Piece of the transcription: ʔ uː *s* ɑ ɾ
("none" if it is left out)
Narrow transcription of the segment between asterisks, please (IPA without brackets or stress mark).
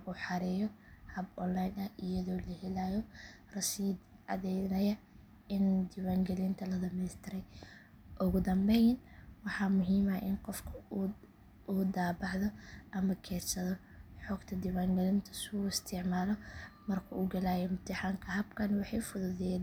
ħ